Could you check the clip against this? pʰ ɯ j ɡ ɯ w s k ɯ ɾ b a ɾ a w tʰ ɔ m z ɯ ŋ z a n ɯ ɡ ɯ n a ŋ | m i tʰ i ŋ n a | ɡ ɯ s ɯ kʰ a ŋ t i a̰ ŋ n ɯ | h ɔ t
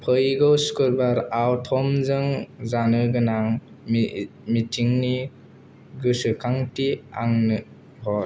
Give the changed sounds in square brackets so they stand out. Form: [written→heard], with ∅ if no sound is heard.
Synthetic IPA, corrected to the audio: pʰ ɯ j ɡ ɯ w s k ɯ ɾ b a ɾ a w tʰ ɔ m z ɯ ŋ z a n ɯ ɡ ɯ n a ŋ | m i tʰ i ŋ n [a→i] | ɡ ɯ s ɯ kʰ a ŋ t i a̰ ŋ n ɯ | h ɔ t